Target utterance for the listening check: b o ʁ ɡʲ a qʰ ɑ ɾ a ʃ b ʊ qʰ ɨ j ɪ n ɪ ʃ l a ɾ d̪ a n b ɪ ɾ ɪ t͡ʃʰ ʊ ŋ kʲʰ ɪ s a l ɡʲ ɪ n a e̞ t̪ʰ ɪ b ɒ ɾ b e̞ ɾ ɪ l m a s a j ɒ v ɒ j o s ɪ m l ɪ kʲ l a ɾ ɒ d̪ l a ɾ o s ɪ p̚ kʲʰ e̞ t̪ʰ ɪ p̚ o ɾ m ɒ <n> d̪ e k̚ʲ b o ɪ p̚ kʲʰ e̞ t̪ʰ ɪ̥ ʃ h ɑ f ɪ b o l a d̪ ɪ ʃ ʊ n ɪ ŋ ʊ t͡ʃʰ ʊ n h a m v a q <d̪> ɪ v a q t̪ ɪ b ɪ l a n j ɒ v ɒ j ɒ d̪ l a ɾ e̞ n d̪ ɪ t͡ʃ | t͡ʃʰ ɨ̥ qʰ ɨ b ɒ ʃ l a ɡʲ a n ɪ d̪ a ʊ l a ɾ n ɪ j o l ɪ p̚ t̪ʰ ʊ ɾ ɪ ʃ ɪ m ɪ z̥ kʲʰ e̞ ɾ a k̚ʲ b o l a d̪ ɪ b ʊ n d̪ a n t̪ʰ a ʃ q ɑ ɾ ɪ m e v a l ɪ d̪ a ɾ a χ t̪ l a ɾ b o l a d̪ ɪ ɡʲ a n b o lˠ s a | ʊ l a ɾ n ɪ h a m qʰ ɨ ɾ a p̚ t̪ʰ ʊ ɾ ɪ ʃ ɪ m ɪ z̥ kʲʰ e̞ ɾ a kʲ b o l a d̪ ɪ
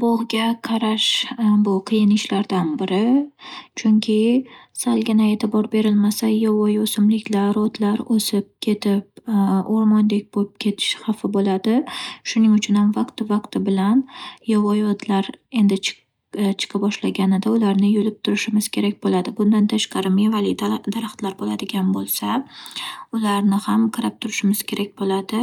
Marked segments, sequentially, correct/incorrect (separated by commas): correct, incorrect